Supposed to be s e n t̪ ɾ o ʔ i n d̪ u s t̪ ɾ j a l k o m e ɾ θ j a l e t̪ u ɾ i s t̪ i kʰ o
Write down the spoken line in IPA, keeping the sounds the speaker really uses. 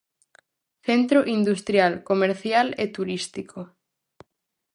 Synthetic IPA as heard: θ e n t̪ ɾ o ʔ i n d̪ u s t̪ ɾ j a l k o m e ɾ θ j a l e t̪ u ɾ i s t̪ i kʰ o